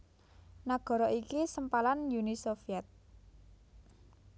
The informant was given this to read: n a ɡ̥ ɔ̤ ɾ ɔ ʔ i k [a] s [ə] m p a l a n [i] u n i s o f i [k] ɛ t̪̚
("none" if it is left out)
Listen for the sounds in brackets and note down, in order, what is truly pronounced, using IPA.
i, ə, j, none

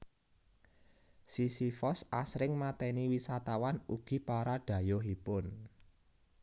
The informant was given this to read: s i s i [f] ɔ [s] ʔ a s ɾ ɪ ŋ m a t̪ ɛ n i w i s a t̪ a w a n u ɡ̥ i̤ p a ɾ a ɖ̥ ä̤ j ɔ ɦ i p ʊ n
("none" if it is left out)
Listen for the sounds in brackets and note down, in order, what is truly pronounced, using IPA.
f, s

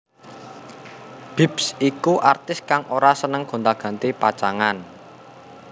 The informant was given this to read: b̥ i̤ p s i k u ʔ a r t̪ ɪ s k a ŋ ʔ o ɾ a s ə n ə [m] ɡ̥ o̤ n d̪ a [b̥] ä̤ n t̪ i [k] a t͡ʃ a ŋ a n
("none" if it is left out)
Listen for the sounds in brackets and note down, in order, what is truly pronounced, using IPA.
ŋ, ɡ̥, p

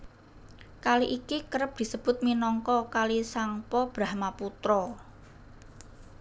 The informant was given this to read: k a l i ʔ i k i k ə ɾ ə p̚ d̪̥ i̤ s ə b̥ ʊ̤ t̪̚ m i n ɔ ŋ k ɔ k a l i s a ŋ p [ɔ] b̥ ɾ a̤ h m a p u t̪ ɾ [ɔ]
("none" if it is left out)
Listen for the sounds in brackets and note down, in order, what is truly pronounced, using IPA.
ɔ, ɔ

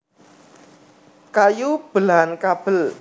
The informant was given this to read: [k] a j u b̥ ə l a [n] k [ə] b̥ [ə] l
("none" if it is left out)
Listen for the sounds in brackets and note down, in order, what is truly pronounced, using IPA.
k, n, a, ə

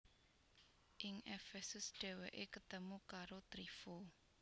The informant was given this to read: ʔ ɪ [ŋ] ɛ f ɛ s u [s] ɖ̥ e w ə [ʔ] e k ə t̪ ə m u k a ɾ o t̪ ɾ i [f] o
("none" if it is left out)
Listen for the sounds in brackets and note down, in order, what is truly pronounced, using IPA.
ŋ, s, ʔ, f

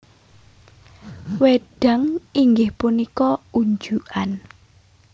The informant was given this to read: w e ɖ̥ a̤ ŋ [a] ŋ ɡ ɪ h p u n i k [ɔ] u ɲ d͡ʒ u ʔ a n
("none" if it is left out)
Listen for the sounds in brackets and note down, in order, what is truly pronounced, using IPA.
i, ɔ

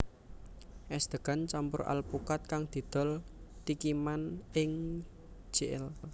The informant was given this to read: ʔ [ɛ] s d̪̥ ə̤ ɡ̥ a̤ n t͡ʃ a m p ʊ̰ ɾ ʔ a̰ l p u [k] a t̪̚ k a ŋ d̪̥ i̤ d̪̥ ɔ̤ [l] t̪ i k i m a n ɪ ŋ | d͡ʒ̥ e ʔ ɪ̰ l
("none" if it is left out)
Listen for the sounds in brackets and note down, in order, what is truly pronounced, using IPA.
ɛ, k, l

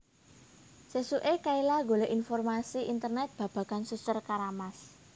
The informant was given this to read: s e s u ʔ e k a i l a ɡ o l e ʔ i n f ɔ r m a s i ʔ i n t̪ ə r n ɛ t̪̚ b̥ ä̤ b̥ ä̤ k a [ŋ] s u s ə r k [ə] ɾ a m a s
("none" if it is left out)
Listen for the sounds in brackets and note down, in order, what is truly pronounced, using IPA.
n, a

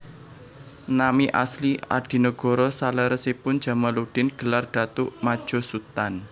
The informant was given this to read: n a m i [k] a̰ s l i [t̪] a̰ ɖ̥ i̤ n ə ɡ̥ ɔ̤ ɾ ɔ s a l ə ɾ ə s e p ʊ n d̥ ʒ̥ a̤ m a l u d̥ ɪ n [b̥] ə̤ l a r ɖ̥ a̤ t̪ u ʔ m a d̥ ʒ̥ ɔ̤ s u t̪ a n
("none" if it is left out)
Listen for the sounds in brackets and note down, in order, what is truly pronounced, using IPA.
ʔ, none, ɡ̥

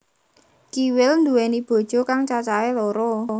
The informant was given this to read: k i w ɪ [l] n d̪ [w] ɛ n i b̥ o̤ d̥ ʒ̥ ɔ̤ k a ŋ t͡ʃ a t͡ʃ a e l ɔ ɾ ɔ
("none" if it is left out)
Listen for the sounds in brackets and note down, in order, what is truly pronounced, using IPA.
l, u

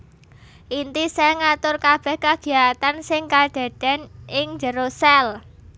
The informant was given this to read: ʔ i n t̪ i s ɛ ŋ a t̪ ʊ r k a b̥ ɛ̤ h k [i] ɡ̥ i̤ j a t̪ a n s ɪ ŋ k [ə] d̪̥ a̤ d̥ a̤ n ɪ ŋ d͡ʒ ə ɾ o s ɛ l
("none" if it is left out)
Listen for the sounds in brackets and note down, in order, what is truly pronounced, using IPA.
a, a

